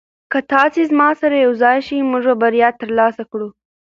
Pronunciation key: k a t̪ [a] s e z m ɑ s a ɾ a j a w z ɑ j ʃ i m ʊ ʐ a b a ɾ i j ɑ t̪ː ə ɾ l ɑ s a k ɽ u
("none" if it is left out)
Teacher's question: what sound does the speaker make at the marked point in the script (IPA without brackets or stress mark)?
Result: ɑ